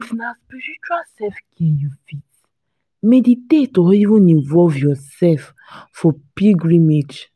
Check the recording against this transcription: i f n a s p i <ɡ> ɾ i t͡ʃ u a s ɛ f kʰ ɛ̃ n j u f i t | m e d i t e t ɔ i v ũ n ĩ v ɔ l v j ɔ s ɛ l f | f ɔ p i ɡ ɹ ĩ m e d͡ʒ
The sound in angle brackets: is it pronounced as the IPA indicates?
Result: no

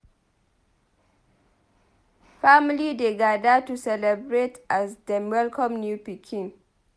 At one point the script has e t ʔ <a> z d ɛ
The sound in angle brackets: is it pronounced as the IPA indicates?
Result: yes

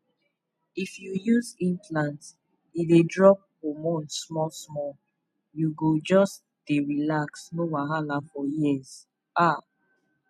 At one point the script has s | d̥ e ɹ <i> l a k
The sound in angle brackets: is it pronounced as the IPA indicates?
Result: yes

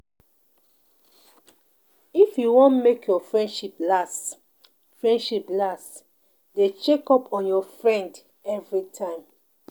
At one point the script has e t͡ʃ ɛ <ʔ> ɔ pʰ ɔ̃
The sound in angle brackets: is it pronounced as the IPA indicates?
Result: no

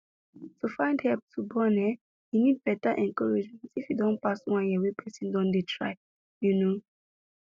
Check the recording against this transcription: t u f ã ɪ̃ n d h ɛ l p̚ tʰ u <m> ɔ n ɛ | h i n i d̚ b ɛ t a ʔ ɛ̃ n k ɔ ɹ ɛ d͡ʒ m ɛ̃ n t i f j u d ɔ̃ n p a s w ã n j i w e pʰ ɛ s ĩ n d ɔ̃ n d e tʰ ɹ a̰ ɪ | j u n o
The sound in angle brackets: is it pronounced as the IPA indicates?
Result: no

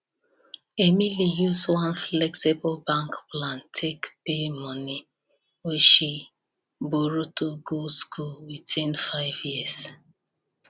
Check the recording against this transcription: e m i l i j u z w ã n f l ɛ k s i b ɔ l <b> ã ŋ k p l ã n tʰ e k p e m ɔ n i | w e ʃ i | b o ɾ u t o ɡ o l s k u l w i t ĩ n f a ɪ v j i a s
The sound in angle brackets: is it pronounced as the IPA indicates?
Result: yes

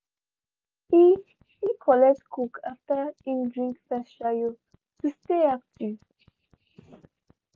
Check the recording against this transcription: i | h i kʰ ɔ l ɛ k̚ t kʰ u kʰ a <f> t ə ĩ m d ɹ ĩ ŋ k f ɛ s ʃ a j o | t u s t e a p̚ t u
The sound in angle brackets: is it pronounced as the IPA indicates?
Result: yes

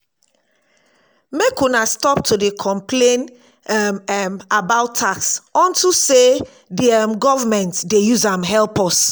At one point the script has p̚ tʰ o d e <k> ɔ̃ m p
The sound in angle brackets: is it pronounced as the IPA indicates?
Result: no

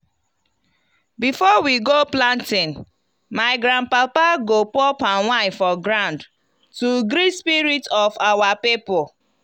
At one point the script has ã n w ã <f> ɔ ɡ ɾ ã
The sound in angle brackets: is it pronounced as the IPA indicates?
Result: yes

